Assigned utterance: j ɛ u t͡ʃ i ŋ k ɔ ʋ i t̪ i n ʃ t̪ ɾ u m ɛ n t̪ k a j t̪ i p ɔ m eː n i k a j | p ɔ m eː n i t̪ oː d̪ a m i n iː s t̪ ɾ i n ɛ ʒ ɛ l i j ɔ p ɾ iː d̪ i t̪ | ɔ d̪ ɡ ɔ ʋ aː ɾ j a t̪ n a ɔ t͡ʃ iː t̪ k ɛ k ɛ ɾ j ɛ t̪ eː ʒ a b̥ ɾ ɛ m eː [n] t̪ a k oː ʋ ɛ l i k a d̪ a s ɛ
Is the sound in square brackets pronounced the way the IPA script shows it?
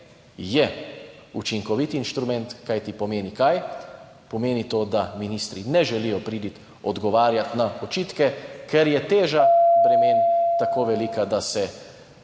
yes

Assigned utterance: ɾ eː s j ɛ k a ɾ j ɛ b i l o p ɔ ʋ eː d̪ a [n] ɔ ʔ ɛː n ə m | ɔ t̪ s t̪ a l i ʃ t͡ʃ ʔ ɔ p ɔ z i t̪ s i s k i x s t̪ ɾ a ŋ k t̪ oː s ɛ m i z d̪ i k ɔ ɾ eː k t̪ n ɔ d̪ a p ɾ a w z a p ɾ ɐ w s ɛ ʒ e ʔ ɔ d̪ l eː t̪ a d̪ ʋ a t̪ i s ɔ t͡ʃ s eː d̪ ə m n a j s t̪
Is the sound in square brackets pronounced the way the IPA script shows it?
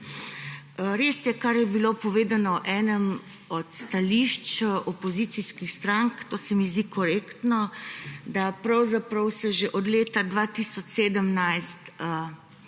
yes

